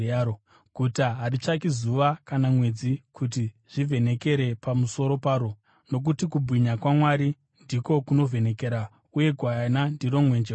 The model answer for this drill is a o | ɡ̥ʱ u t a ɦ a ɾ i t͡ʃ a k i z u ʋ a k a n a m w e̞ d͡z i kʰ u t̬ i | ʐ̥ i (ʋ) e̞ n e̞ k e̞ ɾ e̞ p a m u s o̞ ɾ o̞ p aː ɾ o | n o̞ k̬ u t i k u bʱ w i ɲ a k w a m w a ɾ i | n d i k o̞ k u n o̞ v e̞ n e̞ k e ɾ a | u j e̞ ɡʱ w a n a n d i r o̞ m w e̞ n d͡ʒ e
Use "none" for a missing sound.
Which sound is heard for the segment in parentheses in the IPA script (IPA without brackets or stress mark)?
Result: v